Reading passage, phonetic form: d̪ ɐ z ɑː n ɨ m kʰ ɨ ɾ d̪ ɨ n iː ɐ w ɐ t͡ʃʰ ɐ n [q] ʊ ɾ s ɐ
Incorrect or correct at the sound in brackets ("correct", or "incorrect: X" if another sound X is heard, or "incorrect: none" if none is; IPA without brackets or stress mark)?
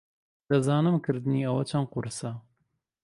correct